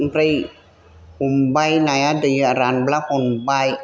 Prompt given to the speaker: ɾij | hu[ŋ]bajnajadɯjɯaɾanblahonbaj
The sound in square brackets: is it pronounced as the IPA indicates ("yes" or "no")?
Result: no